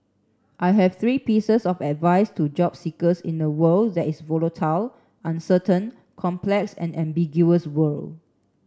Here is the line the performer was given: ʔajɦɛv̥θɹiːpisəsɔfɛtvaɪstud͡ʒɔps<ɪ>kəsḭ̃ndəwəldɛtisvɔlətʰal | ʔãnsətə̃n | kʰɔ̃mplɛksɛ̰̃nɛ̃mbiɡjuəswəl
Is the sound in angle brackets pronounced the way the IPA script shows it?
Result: no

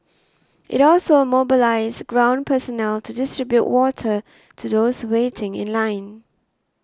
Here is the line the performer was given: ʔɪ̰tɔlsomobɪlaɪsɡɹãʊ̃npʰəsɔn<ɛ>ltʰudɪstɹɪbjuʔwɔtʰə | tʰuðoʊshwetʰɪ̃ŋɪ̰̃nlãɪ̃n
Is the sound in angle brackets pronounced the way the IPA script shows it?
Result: yes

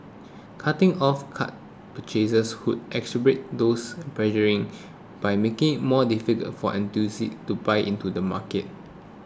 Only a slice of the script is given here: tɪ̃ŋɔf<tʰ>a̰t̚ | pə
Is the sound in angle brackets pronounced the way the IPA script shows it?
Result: no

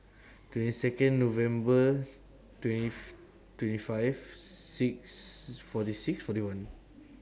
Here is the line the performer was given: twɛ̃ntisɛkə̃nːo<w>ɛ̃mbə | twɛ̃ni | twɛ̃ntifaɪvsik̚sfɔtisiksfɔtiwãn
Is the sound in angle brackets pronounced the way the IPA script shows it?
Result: no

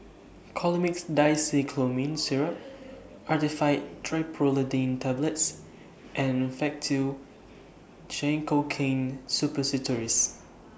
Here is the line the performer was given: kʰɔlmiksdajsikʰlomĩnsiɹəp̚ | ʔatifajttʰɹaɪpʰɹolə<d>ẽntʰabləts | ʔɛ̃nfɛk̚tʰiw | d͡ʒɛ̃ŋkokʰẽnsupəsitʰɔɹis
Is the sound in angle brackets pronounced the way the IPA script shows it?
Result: yes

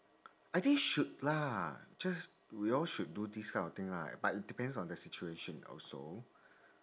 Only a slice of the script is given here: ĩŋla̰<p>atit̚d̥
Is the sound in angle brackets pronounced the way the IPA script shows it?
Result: no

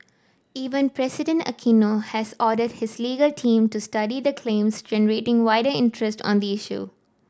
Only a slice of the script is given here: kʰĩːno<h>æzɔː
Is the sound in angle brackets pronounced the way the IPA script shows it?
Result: yes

